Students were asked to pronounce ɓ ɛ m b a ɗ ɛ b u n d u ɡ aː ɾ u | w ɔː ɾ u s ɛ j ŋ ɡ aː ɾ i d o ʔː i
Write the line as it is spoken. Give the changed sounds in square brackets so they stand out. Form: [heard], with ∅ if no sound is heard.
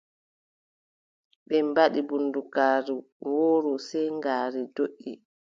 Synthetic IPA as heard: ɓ ɛ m b a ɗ [i] b u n d u [k] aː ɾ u | w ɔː ɾ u s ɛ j ŋ ɡ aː ɾ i d o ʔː i